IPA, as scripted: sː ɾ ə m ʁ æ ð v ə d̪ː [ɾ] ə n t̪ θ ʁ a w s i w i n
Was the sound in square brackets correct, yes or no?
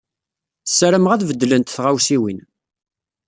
no